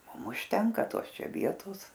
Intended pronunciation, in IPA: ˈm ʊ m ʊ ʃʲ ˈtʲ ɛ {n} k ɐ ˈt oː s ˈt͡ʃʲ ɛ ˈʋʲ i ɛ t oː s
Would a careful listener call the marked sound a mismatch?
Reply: yes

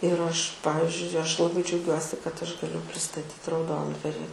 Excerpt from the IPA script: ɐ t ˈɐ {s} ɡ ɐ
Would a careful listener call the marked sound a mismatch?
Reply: yes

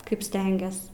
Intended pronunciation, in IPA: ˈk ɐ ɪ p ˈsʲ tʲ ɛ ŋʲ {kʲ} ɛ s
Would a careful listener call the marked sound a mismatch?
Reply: yes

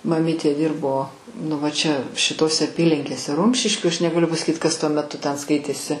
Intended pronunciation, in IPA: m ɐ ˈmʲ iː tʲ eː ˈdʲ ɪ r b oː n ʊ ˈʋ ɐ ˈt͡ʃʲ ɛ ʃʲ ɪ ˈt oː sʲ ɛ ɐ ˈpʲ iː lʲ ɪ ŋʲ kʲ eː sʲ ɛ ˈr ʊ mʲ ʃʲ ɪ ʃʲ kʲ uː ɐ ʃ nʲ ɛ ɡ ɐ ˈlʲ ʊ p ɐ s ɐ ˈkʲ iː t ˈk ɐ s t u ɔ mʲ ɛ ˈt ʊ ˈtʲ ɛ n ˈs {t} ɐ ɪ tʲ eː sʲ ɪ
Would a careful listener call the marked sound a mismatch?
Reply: yes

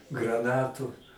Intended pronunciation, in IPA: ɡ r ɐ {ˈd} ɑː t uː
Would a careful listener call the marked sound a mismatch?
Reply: yes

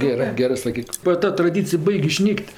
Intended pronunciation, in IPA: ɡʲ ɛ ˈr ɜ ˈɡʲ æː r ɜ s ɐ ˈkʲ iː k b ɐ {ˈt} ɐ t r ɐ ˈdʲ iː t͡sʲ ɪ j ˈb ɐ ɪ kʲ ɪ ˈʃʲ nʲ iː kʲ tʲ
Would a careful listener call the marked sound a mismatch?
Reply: no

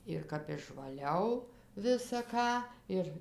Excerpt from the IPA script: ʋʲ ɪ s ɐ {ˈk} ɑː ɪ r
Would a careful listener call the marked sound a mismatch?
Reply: no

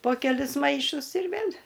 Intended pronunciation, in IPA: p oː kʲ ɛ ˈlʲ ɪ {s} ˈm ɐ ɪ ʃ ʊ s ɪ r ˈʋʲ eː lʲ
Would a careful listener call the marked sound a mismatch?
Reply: no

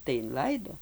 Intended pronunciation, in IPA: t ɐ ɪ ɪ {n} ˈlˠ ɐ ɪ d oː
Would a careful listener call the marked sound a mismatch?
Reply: no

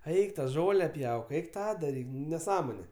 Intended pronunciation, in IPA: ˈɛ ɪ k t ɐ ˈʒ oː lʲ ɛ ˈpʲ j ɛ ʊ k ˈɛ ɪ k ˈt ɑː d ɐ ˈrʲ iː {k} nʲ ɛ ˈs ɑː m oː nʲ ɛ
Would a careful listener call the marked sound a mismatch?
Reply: no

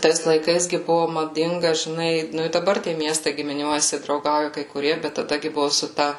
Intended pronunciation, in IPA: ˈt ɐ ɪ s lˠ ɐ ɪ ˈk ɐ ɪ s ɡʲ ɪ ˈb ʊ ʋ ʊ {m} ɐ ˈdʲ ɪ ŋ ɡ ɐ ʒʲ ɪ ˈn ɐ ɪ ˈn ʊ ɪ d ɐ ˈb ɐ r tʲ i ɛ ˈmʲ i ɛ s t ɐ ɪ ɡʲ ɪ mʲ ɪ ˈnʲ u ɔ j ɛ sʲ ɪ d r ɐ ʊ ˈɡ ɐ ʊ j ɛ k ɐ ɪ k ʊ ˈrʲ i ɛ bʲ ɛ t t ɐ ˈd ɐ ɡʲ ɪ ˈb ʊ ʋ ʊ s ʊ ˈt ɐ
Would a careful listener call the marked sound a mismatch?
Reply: no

